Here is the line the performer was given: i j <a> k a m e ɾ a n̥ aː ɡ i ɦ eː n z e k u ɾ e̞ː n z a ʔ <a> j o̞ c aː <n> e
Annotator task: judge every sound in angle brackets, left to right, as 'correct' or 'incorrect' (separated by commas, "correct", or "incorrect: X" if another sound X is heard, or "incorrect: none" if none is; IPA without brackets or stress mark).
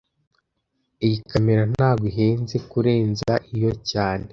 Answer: incorrect: i, incorrect: i, correct